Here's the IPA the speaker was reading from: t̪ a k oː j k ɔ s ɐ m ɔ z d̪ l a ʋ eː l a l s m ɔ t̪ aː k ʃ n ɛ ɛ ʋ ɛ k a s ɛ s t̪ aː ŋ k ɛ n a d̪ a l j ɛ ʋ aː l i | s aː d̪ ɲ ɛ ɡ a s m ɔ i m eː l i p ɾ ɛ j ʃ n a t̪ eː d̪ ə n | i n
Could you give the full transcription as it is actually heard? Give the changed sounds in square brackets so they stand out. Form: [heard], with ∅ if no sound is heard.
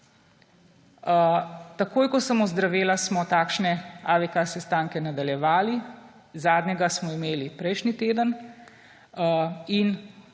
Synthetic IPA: t̪ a k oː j k ɔ s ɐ m ɔ z d̪ [ɾ] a ʋ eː l a [∅] s m ɔ t̪ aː k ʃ n ɛ [a] ʋ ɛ k a s ɛ s t̪ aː ŋ k ɛ n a d̪ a l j ɛ ʋ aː l i | [z] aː d̪ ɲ ɛ ɡ a s m ɔ i m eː l i p ɾ ɛ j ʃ n [i] t̪ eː d̪ ə n | i n